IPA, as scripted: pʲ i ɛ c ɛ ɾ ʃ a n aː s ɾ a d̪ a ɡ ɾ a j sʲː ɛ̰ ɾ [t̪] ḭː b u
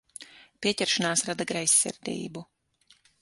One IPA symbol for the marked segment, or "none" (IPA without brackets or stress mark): d̪